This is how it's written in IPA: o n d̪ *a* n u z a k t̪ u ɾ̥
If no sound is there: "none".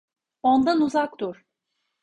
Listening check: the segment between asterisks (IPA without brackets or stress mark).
a